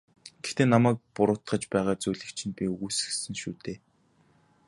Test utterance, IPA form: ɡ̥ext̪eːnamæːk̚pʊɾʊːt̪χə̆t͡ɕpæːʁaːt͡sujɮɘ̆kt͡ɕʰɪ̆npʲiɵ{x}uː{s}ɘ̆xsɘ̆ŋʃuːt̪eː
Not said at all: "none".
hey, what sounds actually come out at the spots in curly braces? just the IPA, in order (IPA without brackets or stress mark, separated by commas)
ɣ, s